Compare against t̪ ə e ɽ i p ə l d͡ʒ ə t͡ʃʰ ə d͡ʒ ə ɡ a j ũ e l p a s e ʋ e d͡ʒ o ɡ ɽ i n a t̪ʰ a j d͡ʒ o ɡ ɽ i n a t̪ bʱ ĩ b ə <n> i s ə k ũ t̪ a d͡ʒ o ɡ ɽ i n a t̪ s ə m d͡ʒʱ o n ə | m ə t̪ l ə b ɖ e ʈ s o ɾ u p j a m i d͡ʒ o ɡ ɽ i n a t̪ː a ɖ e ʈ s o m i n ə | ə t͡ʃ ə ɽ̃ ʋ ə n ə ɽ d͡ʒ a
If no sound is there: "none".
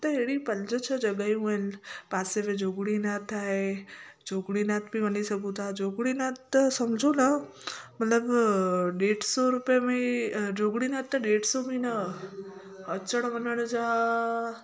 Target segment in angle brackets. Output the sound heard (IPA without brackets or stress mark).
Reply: n